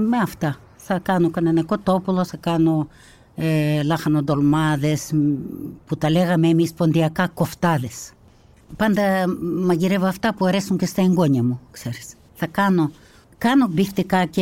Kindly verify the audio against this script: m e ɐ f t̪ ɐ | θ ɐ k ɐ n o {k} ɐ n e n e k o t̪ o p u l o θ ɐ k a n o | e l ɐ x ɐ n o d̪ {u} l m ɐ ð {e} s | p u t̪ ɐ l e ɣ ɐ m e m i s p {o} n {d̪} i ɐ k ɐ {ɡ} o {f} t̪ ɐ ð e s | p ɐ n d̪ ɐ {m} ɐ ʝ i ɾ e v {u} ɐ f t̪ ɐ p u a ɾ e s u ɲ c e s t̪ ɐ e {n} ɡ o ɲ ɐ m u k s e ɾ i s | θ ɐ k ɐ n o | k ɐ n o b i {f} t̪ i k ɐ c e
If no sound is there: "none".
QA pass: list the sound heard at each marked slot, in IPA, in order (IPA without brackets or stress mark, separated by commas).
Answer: k, o, e, o, d̪, k, f, m, o, ŋ, f